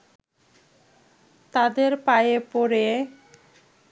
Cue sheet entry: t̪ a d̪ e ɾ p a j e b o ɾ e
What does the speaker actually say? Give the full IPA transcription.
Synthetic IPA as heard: t̪ a d̪ e ɾ p a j e p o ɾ e